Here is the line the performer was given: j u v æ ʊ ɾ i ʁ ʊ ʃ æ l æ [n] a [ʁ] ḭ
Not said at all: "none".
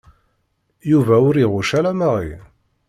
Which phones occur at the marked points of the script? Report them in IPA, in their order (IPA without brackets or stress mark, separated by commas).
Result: m, ʁ